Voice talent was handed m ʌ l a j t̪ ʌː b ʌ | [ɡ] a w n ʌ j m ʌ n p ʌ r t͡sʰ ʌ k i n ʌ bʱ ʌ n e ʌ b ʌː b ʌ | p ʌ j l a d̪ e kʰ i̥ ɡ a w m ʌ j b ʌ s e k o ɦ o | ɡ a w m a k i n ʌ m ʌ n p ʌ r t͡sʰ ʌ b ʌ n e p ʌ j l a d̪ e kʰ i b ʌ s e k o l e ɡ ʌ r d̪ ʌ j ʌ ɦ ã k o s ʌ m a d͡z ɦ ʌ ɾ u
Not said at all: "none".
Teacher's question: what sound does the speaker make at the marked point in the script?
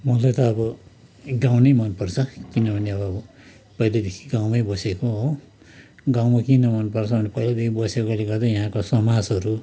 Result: ɡ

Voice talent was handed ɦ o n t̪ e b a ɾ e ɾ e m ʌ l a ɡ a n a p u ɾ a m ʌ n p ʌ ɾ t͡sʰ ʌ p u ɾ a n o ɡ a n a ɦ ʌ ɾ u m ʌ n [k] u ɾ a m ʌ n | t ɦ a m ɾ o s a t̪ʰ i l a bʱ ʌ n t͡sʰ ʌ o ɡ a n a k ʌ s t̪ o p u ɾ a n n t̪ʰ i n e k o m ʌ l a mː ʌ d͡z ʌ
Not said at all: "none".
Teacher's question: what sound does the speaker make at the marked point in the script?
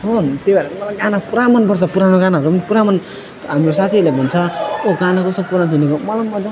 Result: p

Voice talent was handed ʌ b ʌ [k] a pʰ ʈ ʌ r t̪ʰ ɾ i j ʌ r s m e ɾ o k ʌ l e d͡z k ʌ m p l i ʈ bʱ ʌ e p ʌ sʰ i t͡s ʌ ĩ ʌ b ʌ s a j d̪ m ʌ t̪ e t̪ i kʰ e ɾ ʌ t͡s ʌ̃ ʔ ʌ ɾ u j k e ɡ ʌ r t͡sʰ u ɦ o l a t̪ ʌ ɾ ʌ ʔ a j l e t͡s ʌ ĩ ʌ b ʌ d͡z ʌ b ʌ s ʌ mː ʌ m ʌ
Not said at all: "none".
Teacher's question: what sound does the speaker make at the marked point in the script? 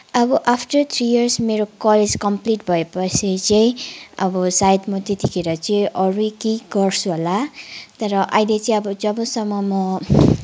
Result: ʔ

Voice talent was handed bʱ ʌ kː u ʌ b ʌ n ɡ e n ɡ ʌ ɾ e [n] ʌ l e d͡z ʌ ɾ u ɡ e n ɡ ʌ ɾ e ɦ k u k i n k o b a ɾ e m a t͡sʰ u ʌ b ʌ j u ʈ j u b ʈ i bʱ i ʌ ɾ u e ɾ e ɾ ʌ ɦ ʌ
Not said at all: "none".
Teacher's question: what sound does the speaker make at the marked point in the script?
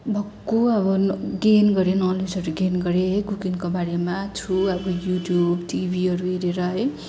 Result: n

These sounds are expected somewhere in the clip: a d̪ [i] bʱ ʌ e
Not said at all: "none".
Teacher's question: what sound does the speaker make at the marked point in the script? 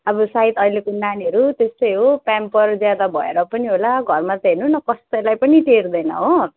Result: a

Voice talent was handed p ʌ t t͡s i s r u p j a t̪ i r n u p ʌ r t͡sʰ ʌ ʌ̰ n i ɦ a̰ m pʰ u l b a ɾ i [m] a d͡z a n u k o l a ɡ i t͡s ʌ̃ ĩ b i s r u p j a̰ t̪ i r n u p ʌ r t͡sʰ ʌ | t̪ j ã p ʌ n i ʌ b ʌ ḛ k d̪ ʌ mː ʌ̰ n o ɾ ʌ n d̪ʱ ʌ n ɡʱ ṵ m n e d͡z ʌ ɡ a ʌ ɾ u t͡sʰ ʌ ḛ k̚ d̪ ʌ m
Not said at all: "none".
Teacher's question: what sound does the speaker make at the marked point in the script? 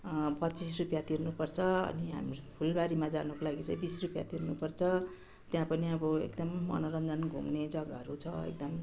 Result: m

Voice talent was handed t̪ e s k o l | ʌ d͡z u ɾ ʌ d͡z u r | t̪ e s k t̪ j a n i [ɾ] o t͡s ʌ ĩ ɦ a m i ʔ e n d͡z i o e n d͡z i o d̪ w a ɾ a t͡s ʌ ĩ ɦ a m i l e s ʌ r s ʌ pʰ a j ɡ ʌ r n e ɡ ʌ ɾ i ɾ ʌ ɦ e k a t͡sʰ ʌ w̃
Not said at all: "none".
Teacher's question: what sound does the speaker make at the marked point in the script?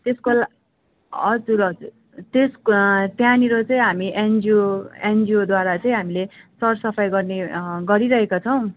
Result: ɾ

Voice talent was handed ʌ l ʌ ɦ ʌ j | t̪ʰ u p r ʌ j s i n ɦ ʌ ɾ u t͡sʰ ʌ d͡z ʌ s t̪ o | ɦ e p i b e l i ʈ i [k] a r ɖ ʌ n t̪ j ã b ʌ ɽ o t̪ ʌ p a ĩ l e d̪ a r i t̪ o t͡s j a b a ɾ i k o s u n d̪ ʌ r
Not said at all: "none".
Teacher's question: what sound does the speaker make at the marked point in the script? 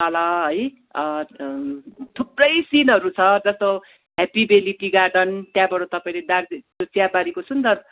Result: ɡ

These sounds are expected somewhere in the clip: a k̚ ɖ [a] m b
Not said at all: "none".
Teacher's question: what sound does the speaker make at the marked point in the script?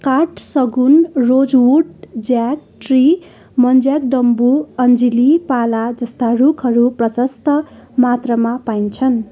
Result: ʌ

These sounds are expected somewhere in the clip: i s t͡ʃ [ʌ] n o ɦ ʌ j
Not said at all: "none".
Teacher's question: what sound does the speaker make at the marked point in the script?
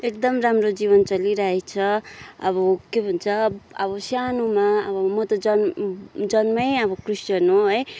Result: ʌ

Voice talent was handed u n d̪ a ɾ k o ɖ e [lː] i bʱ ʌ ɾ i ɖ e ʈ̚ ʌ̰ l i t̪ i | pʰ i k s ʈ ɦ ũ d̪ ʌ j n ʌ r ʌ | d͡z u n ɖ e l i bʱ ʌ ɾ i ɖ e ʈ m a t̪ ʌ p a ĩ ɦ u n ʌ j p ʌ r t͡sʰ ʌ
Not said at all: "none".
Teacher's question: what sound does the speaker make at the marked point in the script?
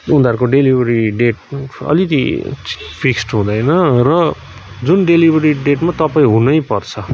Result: l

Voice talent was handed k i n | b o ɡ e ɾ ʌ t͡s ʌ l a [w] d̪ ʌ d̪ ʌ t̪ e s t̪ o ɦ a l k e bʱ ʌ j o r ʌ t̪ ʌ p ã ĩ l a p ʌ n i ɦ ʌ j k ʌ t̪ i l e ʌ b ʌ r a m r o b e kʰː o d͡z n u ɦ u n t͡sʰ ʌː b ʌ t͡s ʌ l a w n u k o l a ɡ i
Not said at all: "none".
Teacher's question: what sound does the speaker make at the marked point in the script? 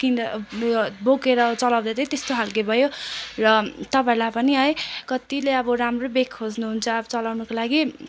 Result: w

